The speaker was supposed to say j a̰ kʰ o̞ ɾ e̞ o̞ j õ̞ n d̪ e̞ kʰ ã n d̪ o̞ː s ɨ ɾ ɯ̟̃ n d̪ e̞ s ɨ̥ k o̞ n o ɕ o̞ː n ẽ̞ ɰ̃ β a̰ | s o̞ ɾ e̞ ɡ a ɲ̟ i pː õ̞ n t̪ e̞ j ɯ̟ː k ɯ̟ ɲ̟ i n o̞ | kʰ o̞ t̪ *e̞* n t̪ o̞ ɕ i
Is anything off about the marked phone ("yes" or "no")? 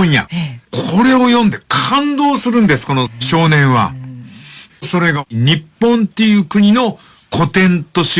yes